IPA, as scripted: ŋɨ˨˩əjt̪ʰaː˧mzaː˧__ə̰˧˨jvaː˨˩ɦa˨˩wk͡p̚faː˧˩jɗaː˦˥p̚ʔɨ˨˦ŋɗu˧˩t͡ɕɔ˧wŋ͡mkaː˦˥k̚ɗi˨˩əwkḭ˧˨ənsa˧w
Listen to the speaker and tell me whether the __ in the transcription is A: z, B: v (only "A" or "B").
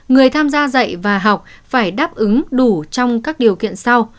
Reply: A